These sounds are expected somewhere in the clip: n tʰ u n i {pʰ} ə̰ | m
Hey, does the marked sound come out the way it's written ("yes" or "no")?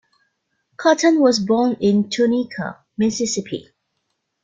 no